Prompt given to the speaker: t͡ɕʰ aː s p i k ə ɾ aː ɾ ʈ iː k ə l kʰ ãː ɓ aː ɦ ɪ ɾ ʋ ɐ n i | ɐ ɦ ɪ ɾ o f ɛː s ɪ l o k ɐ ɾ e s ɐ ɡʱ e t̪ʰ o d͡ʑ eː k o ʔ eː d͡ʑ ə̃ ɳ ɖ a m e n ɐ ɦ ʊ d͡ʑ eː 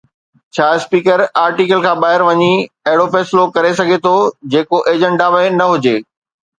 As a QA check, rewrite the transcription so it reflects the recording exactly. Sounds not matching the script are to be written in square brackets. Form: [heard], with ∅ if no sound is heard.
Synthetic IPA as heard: t͡ɕʰ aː s p [iː] k ə ɾ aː ɾ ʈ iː k ə l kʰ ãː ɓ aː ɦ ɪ ɾ ʋ ɐ [ɲ] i | ɐ ɦ ɪ [ɽ] o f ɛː s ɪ l o k ɐ ɾ e s ɐ ɡʱ e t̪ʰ o d͡ʑ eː k o ʔ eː d͡ʑ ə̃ ɳ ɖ a m e n ɐ ɦ ʊ d͡ʑ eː